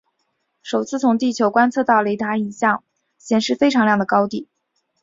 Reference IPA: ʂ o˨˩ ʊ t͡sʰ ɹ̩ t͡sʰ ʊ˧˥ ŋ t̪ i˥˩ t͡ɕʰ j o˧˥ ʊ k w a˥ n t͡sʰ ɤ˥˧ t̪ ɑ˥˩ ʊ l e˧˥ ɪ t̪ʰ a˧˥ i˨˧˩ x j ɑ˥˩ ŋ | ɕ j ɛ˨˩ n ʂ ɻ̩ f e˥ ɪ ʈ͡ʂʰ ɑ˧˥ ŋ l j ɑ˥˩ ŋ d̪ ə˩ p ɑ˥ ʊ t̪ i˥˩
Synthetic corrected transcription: ʂ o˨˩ ʊ t͡sʰ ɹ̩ t͡sʰ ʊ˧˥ ŋ t̪ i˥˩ t͡ɕʰ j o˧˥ ʊ k w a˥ n t͡sʰ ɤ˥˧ t̪ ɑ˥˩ ʊ l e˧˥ ɪ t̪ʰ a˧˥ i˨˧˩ ɕ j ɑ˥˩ ŋ | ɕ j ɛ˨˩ n ʂ ɻ̩ f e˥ ɪ ʈ͡ʂʰ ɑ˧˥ ŋ l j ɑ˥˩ ŋ d̪ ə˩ k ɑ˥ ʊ t̪ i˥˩